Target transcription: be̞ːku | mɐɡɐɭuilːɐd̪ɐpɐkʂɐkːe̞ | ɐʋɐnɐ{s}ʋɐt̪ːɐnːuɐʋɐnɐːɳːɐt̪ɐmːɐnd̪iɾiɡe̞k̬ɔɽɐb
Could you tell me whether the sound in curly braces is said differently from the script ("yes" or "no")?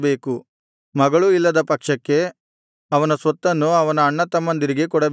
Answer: no